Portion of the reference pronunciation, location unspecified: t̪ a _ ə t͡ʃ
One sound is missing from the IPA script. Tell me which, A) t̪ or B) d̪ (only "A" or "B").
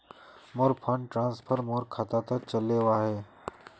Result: A